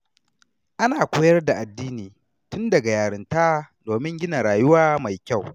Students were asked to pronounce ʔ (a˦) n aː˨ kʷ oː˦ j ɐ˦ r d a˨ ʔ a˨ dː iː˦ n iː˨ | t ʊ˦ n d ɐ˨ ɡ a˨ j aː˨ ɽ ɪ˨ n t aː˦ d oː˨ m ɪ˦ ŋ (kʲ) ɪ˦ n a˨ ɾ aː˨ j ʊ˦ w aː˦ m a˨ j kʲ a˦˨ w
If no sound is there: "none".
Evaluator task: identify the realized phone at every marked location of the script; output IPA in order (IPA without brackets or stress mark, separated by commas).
a˦, ɡʲ